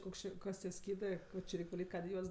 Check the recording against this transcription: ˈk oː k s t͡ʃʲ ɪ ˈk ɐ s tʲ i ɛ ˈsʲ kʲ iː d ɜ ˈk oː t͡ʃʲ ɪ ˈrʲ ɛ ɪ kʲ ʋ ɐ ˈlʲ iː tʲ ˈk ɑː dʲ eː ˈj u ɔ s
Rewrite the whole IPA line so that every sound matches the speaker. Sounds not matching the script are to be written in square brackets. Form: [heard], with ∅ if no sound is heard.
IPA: ˈk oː k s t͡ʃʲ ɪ ˈk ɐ s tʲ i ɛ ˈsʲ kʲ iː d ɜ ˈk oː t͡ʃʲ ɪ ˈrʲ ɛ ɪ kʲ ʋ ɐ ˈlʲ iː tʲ ˈk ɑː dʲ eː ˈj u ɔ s